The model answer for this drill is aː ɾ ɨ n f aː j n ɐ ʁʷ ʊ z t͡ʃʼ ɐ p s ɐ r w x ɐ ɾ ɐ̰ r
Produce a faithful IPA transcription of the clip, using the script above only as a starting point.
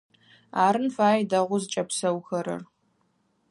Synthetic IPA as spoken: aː ɾ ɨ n f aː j d ɐ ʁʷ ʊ z t͡ʃʼ ɐ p s ɐ w x ɐ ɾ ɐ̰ r